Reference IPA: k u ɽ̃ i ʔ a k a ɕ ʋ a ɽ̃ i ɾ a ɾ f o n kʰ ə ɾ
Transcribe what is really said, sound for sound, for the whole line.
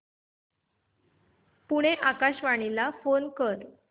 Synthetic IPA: p u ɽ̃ e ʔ a k a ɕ ʋ a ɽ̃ i l a f o n k ə ɾ